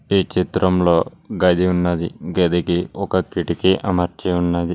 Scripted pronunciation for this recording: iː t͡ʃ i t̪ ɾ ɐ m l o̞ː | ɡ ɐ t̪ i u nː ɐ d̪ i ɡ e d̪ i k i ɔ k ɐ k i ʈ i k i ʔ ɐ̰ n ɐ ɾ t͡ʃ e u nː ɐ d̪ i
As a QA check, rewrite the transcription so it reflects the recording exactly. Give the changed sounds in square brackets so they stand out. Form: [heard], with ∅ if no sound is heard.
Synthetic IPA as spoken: iː t͡ʃ i t̪ ɾ ɐ m l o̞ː | ɡ ɐ [d̪] i u nː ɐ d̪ i ɡ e d̪ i k i ɔ k ɐ k i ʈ i k i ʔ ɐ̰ [m] ɐ ɾ t͡ʃ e u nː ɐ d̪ i